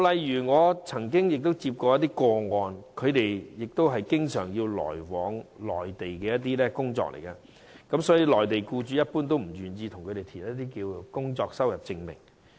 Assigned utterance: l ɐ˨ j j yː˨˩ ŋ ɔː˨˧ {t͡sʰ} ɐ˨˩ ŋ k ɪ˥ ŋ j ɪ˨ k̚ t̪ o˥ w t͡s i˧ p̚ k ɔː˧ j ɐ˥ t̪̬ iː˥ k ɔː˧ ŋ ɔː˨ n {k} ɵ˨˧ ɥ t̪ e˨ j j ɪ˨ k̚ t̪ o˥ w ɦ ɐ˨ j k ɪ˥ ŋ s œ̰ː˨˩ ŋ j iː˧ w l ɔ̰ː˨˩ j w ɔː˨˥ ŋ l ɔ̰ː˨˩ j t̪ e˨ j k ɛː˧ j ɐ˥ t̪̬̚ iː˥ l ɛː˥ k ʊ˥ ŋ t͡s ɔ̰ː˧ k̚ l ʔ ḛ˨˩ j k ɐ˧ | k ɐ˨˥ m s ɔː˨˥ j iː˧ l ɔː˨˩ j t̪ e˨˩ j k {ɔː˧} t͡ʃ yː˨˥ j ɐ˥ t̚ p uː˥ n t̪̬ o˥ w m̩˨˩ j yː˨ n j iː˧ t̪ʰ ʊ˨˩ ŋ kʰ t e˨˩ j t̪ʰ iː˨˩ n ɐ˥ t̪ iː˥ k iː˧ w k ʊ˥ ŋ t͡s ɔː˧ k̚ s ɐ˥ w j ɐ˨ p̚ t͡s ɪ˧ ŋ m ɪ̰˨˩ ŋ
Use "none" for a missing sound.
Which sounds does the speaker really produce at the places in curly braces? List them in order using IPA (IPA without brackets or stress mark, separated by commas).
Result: t͡sʰ, kʰ, uː˧